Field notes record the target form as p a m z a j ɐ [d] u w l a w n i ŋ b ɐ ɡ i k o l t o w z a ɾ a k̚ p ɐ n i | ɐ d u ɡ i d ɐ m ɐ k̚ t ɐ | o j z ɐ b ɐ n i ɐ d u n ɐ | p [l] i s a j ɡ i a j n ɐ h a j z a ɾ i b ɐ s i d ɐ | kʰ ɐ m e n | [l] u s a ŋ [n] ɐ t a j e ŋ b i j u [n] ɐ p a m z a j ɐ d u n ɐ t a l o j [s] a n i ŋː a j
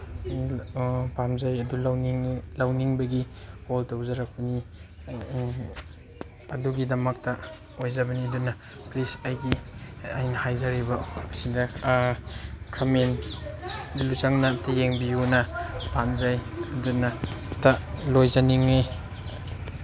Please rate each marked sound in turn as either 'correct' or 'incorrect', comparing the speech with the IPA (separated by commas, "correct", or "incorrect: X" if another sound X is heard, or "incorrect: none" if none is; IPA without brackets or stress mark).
correct, correct, correct, correct, correct, incorrect: z